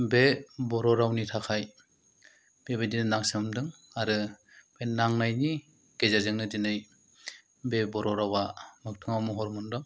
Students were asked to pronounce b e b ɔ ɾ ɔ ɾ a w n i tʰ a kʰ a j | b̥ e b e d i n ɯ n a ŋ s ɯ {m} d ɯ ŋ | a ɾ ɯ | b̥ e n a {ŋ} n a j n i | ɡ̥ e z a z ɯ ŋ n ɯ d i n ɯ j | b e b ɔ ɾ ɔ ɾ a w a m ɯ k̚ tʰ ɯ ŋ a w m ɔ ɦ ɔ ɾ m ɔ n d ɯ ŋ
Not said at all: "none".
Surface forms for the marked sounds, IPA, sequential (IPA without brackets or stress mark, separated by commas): m, ŋ